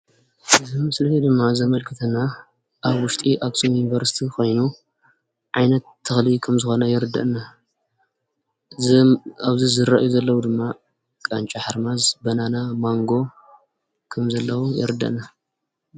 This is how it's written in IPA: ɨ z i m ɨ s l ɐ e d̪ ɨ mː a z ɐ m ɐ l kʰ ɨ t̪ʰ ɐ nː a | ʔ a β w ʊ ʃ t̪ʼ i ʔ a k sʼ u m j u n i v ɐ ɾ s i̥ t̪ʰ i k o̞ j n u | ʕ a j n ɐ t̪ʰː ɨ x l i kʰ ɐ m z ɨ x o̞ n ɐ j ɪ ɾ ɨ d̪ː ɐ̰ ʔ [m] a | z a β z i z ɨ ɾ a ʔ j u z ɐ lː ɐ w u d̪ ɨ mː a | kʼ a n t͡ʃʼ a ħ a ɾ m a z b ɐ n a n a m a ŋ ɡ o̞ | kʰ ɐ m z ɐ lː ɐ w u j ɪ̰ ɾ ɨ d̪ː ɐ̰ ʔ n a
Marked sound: incorrect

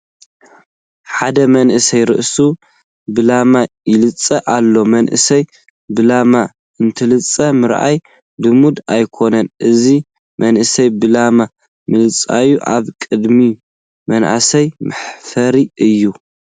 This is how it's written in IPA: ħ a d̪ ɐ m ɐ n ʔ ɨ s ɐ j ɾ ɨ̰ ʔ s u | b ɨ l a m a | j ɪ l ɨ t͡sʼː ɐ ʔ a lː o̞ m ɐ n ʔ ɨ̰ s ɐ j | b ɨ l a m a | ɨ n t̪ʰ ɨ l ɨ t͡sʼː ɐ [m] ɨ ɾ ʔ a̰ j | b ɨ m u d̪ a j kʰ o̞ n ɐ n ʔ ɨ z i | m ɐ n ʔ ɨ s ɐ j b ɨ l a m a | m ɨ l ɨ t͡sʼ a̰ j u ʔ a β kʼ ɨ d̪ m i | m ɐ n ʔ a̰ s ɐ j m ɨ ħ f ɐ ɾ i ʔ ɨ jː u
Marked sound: correct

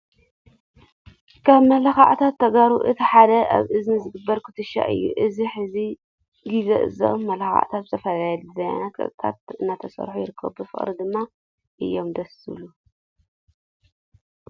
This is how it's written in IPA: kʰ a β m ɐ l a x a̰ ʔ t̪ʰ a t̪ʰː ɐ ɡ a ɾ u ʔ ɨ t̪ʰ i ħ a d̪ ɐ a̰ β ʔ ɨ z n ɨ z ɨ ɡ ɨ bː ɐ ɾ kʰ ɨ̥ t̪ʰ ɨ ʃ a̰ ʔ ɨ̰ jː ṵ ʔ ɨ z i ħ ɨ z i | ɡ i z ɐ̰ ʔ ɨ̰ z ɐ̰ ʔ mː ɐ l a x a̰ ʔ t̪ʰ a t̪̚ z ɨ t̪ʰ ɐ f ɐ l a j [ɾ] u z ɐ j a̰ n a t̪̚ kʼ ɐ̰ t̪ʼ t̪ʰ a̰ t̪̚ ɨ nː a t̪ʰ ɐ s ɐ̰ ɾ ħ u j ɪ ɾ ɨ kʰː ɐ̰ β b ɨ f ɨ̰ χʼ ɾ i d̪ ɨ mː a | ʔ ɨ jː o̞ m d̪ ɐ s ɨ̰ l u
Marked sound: incorrect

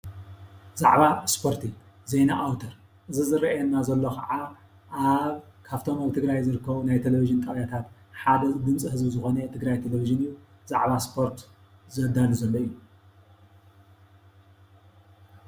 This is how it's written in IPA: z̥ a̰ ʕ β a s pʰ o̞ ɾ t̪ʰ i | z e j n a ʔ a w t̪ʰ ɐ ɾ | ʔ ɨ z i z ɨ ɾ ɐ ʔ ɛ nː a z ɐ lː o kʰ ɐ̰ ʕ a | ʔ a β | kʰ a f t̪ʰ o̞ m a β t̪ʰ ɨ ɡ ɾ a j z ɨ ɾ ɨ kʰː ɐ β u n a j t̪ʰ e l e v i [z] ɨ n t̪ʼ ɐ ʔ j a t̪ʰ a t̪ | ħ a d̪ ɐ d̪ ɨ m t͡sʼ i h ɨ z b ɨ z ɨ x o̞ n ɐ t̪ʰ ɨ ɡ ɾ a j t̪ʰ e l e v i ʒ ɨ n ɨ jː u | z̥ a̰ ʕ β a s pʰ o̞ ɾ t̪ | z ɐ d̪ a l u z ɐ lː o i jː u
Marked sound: incorrect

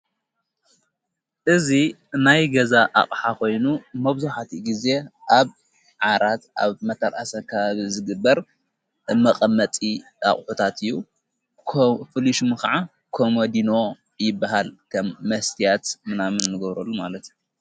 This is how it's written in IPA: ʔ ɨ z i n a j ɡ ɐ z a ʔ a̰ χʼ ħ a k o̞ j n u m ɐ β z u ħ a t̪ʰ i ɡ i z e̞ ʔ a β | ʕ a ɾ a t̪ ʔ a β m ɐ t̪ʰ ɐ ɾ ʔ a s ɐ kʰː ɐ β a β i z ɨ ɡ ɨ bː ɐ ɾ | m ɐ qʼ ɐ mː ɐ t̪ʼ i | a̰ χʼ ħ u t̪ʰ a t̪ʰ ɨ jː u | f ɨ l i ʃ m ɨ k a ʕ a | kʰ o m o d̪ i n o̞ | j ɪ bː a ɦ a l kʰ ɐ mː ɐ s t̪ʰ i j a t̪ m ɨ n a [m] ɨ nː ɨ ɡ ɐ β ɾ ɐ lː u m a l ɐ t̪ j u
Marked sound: correct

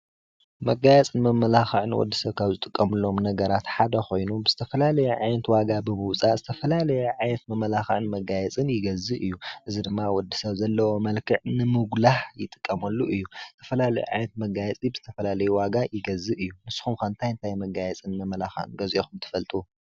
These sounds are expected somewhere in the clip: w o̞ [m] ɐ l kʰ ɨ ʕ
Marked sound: correct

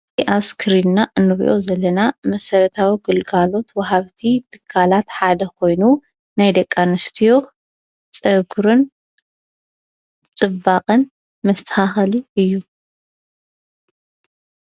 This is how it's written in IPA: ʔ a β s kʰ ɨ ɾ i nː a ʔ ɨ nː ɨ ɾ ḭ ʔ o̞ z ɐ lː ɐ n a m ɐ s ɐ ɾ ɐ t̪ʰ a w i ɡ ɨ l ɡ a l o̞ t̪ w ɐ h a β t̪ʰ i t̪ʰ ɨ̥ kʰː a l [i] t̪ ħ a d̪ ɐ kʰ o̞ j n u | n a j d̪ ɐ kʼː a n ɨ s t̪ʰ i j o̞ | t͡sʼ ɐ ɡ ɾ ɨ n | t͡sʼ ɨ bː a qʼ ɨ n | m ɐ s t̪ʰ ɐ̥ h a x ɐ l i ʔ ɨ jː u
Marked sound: incorrect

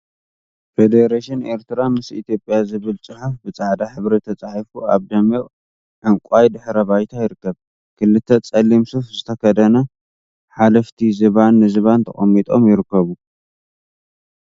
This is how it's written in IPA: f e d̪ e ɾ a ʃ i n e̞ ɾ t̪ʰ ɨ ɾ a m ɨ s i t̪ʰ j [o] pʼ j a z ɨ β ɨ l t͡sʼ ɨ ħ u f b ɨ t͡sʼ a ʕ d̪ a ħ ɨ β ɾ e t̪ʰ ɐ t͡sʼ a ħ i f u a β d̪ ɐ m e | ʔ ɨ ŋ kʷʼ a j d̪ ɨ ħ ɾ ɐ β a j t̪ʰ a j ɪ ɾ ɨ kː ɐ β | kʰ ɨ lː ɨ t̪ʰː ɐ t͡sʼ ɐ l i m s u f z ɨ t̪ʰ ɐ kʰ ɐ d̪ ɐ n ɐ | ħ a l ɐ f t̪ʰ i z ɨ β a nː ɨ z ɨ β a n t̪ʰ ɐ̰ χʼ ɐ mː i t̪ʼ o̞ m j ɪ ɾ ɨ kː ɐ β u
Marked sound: correct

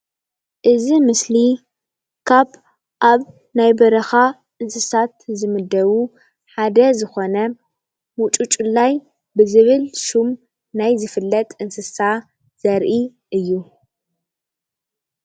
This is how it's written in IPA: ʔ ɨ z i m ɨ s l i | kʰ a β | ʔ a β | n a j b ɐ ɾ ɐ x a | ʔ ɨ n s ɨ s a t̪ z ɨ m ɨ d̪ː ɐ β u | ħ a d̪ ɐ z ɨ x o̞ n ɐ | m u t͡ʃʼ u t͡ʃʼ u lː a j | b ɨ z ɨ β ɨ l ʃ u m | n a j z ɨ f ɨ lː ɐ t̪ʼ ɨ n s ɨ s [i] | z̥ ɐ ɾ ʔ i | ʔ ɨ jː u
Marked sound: incorrect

